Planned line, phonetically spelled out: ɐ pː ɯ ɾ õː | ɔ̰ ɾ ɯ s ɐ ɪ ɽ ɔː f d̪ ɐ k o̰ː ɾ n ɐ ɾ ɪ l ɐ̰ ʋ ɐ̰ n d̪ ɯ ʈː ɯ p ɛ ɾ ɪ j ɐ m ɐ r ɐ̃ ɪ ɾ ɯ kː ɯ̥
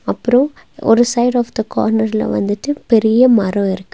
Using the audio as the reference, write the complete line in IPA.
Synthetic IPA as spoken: ɐ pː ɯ ɾ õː | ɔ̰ ɾ ɯ s ɐ ɪ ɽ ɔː f d̪ ɐ k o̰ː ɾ n ɐ ɾ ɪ l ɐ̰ ʋ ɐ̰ n d̪ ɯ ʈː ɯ p ɛ ɾ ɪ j ɐ m ɐ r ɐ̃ ɪ ɾ ɯ kː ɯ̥